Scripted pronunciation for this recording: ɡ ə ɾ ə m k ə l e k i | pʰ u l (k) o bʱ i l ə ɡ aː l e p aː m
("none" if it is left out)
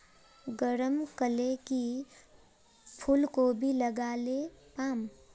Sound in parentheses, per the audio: k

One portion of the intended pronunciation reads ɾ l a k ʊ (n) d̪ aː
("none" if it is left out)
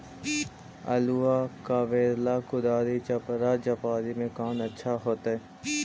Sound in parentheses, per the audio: none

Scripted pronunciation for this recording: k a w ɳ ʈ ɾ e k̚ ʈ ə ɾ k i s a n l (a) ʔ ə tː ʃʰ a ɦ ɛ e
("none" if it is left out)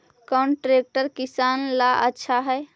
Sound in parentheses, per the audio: a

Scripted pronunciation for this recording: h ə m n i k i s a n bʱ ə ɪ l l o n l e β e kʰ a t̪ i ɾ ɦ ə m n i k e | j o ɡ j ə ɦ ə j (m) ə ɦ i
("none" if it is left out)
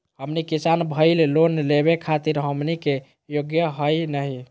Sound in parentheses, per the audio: n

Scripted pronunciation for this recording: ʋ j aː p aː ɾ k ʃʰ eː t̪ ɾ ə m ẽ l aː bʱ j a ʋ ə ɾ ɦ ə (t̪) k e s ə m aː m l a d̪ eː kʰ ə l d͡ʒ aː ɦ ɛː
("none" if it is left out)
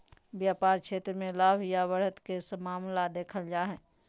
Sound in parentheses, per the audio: t̪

